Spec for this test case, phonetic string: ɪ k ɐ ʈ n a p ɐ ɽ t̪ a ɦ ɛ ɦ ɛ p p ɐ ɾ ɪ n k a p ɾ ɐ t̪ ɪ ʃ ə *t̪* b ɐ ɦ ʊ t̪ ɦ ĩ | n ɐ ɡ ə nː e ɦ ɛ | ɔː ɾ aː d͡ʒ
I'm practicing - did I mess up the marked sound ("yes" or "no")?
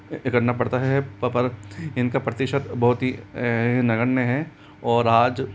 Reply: no